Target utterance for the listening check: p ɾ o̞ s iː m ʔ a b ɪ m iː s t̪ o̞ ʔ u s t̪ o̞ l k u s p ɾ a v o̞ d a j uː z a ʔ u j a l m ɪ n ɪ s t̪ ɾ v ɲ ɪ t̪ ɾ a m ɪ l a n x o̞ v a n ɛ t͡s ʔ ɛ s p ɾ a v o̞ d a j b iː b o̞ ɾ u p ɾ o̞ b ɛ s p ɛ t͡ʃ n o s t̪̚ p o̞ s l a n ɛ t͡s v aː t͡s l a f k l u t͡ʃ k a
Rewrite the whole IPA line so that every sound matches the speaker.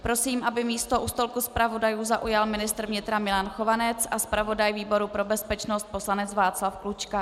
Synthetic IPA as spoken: p ɾ o̞ s iː m ʔ a b ɪ m iː s t̪ o̞ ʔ u s t̪ o̞ l k u s p ɾ a v o̞ d a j uː z a ʔ u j a l m ɪ n ɪ s t̪ ɾ v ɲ ɪ t̪ ɾ a m ɪ l a n x o̞ v a n ɛ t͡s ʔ a s p ɾ a v o̞ d a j v iː b o̞ ɾ u p ɾ o̞ b ɛ s p ɛ t͡ʃ n o s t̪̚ p o̞ s l a n ɛ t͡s v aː t͡s l a f k l u t͡ʃ k a